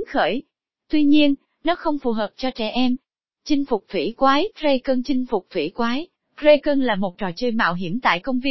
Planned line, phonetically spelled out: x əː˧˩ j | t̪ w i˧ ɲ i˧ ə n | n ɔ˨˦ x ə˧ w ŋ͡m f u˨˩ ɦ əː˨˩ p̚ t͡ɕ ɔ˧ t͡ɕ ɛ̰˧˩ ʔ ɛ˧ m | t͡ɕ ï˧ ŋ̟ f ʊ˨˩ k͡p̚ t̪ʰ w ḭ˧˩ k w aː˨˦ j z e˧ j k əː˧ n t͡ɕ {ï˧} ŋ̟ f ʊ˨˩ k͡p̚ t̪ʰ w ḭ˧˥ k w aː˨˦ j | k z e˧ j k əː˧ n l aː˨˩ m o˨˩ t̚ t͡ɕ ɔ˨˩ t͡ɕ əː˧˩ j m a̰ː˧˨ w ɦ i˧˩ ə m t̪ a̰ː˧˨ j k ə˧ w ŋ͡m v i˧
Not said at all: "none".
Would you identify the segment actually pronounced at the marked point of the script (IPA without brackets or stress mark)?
ï˧